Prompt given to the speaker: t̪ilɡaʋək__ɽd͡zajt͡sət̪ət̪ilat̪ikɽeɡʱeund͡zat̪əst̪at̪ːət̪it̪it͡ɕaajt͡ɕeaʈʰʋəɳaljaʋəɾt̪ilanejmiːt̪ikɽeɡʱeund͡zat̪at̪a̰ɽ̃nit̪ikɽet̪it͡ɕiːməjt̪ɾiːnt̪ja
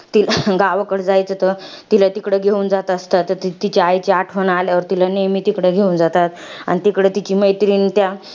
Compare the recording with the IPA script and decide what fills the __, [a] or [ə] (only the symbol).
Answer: ə